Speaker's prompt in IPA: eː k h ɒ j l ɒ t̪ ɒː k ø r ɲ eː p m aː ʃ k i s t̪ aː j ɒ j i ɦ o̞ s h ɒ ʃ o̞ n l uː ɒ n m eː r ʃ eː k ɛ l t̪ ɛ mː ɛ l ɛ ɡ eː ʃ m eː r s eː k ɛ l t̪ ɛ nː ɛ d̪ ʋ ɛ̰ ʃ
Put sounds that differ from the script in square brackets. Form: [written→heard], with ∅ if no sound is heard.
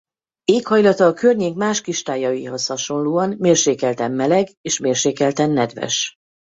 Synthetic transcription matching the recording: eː k h ɒ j l ɒ t̪ ɒː k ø r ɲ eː [p→k] m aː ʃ k i [s→ʃ] t̪ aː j ɒ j i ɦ o̞ s h ɒ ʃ o̞ n l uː ɒ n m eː r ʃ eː k ɛ l t̪ ɛ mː ɛ l ɛ ɡ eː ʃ m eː r [s→ʃ] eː k ɛ l t̪ ɛ nː ɛ d̪ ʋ ɛ̰ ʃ